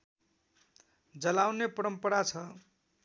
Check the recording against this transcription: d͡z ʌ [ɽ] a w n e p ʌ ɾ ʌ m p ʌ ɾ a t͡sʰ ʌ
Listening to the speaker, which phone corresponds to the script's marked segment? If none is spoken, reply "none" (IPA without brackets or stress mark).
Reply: l